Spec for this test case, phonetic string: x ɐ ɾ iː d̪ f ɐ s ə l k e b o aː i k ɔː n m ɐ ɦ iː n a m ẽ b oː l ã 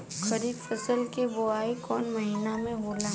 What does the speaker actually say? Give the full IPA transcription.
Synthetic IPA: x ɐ ɾ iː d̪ f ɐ s ə l k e b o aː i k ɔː n m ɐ ɦ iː n a m ẽ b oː l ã